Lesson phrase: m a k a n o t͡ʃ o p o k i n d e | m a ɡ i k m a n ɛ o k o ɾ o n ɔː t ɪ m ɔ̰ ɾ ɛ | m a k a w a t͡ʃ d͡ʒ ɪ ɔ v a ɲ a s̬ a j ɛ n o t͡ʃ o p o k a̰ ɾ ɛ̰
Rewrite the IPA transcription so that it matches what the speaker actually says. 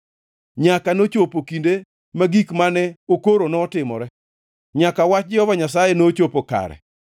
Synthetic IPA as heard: ɲ a k a n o t͡ʃ o p o k i n d e | m a ɡ i k m a n ɛ o k o ɾ o n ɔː t ɪ m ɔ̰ ɾ ɛ | ɲ a k a w a t͡ʃ d͡ʒ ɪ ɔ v a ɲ a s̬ a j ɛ n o t͡ʃ o p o k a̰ ɾ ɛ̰